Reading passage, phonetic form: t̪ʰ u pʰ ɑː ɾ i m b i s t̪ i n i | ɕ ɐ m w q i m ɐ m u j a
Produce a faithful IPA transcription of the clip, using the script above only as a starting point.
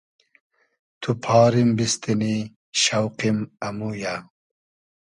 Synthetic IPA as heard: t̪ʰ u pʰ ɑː ɾ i m b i s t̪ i n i | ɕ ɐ w q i m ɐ m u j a